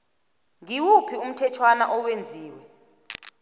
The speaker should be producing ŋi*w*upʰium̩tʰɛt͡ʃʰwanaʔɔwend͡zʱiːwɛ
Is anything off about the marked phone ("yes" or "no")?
no